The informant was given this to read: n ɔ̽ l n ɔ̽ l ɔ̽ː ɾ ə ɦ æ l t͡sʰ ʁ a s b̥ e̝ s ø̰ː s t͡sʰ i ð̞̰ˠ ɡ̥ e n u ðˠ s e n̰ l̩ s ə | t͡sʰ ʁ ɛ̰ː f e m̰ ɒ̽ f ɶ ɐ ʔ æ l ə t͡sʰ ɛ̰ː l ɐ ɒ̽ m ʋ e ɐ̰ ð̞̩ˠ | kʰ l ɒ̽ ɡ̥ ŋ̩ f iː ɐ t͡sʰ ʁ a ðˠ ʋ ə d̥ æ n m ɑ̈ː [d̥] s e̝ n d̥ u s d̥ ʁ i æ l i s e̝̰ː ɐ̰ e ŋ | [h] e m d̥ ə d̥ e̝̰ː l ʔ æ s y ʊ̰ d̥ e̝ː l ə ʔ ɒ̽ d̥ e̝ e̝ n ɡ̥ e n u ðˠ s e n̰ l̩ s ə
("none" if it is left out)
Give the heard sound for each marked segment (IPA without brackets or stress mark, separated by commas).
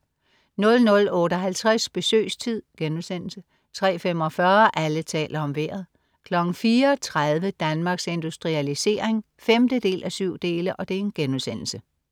ɡ̥, f